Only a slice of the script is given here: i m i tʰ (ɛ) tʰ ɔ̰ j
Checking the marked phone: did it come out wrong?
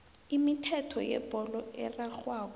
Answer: no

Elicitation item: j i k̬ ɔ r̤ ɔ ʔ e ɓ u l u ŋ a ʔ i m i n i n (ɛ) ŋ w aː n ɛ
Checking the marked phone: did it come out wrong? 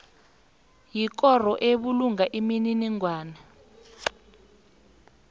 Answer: yes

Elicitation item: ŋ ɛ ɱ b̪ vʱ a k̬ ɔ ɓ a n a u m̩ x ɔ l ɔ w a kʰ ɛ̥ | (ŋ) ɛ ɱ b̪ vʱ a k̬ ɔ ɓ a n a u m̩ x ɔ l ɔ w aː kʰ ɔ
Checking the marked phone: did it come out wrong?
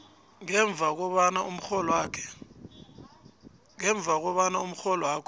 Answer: no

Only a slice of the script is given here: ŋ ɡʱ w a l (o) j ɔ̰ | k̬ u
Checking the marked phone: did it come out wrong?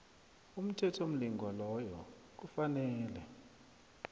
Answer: yes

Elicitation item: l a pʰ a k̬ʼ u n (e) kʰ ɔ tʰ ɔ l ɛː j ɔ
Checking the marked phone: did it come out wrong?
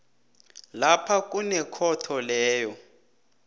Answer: yes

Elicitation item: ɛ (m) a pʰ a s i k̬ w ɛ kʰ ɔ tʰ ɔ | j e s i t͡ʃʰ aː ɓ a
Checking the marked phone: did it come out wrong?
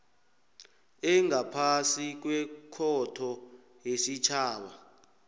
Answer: yes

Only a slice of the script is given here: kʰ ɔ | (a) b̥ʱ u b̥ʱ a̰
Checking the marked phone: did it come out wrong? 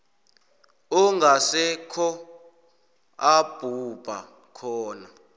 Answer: no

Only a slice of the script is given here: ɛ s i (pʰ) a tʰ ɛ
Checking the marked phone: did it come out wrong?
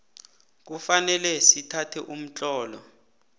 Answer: yes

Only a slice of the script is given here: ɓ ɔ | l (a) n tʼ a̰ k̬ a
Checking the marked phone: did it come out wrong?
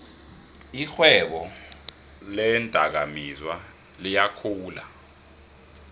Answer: yes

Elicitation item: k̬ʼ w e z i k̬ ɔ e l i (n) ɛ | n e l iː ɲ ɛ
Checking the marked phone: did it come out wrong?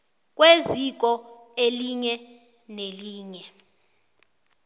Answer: yes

